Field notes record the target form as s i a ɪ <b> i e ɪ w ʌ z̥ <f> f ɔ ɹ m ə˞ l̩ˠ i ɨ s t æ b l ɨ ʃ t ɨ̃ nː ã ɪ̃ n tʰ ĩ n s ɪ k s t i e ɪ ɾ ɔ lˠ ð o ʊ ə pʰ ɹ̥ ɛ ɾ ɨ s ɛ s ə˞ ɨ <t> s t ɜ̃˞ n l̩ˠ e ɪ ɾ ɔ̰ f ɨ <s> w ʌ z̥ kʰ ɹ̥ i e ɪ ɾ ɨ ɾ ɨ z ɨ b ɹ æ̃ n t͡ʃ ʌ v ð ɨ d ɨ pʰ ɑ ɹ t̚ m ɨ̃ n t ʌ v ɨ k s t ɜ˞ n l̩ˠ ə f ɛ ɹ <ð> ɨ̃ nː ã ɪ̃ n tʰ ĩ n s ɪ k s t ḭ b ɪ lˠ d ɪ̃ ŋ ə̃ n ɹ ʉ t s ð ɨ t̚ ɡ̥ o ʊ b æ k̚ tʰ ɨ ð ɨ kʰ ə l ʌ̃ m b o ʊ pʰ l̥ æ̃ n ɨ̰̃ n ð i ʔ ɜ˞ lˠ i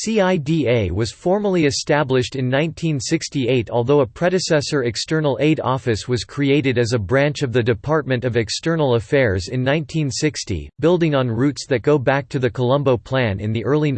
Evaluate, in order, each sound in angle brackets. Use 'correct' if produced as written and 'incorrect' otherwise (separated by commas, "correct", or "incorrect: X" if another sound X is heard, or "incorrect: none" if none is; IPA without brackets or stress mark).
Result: incorrect: d, correct, incorrect: k, correct, incorrect: z